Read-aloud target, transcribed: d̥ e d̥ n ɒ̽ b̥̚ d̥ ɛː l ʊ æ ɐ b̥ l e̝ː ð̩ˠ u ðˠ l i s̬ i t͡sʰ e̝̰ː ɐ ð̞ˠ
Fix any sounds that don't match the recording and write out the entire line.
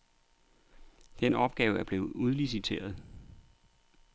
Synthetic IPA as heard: d̥ e n ɒ̽ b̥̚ ɡ̥ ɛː ʊ æ ɐ b̥ l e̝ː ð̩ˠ u ðˠ l i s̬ i t͡sʰ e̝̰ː ɐ ð̞ˠ